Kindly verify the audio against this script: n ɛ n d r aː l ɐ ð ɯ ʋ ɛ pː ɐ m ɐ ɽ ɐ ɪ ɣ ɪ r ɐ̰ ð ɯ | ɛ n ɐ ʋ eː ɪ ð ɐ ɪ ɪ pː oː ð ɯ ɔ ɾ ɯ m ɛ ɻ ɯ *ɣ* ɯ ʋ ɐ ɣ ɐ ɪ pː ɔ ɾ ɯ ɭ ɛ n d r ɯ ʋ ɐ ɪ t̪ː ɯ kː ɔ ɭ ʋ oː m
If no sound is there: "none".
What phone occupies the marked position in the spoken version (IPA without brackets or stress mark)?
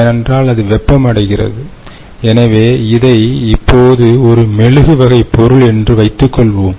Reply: ɣ